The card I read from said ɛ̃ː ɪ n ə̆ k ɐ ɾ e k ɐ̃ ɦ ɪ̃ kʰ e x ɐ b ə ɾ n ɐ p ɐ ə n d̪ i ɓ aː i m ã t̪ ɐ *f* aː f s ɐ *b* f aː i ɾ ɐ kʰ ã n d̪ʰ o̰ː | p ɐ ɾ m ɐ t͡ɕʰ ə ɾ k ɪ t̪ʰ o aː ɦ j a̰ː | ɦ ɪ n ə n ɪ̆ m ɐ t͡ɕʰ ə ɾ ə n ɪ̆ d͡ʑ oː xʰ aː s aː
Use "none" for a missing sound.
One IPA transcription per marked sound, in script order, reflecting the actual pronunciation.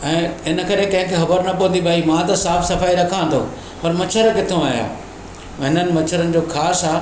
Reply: s, none

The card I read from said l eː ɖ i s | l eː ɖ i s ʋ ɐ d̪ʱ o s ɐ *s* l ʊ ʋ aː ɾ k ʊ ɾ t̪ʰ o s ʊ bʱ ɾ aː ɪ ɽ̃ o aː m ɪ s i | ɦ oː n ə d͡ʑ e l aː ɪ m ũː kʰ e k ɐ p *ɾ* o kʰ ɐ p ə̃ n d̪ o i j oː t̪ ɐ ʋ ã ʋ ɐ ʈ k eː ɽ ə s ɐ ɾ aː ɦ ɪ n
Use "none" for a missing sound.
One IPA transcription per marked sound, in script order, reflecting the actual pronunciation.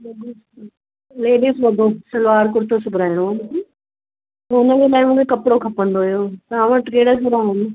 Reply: none, ɽ

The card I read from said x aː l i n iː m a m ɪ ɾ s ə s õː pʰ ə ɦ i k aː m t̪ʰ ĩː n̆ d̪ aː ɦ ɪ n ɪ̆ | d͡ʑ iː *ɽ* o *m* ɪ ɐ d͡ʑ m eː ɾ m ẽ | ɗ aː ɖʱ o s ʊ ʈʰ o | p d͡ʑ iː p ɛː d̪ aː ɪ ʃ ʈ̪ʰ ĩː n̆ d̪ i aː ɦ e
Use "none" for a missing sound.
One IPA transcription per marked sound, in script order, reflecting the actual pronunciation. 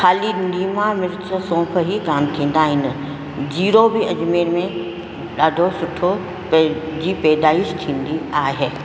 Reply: ɾ, b

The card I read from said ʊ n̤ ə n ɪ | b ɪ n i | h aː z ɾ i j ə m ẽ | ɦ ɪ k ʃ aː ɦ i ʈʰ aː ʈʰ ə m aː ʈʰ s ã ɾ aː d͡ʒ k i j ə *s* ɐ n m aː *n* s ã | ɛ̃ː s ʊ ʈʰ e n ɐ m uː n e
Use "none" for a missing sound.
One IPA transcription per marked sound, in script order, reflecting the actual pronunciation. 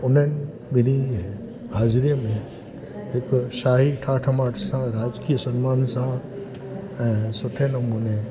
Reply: s, n

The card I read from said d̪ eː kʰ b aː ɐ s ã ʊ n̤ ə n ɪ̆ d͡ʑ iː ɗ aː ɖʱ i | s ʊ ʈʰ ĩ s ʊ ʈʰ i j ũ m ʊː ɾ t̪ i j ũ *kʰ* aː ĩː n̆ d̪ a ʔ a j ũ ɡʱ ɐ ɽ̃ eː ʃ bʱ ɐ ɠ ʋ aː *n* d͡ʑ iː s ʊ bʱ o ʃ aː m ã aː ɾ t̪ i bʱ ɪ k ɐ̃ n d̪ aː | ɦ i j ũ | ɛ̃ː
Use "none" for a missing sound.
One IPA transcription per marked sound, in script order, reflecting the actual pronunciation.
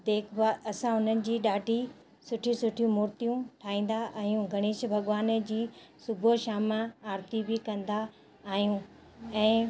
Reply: ʈʰ, n

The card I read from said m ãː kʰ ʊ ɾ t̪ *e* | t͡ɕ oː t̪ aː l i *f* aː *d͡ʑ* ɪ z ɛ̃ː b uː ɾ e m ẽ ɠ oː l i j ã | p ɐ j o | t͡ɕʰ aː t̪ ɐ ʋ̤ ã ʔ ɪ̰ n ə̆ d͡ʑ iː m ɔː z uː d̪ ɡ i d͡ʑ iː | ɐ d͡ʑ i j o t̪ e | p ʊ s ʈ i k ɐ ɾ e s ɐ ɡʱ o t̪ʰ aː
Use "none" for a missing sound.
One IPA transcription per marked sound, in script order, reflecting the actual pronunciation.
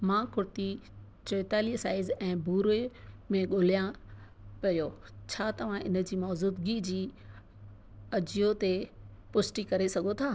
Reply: i, s, none

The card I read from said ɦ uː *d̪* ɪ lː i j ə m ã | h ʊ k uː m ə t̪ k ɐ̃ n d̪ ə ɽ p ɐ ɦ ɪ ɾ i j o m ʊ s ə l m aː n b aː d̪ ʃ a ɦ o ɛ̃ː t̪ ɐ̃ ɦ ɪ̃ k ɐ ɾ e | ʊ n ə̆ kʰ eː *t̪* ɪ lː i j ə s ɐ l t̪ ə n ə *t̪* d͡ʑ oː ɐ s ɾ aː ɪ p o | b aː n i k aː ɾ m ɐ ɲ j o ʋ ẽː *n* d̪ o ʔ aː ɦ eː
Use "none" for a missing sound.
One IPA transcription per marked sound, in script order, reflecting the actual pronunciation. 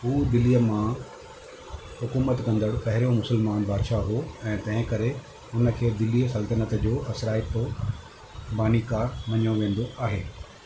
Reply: d̪, d̪, t̪, n

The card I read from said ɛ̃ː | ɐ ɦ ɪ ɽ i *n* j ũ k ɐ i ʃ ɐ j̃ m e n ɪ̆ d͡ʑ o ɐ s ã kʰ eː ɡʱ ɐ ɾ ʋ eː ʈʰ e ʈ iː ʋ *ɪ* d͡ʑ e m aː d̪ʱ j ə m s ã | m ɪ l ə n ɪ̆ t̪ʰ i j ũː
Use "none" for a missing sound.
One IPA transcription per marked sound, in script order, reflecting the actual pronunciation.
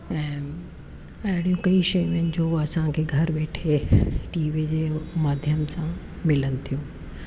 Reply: none, i

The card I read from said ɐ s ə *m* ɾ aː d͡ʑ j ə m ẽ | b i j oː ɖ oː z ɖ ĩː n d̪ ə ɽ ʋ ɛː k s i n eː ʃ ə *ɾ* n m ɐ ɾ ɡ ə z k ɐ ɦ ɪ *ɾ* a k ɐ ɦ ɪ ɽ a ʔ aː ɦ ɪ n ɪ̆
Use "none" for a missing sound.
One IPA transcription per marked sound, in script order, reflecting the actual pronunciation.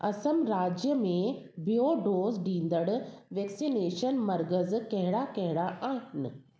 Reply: m, none, ɽ

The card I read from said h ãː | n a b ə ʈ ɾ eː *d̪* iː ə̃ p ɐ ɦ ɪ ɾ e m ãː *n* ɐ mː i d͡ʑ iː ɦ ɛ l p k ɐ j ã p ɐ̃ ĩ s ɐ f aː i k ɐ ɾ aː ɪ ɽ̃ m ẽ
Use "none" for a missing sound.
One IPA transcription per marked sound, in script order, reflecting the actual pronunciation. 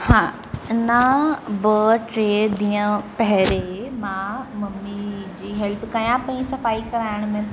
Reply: d̪, m

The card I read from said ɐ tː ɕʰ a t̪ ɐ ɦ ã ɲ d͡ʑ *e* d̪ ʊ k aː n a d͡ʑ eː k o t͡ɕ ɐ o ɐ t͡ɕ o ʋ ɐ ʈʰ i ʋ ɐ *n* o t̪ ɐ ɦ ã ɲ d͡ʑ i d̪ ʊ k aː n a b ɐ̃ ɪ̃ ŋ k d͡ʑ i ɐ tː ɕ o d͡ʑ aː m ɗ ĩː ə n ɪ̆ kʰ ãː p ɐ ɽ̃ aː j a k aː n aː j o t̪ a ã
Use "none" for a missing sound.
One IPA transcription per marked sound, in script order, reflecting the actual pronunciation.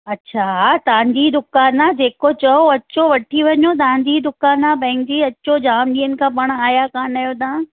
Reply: i, ɲ

